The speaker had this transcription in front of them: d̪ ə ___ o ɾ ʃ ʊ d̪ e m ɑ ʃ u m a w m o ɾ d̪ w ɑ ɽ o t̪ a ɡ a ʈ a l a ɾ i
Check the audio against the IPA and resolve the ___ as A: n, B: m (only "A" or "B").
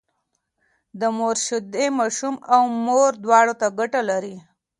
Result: B